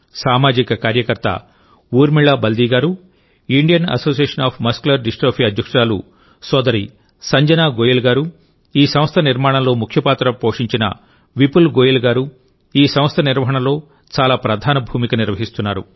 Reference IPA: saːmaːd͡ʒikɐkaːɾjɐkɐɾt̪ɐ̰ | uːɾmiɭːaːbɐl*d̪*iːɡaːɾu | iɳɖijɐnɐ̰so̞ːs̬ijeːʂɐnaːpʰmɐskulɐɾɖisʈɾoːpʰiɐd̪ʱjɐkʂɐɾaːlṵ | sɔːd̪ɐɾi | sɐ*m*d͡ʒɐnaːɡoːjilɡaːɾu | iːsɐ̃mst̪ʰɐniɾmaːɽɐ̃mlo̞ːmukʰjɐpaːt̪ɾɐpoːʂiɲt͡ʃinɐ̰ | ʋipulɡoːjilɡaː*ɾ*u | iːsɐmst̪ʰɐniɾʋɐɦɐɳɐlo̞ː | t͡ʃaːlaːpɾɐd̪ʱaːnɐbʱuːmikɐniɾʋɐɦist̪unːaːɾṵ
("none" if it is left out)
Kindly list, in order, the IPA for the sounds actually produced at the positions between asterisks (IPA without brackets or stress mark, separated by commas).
d̪, ɲ, ɾ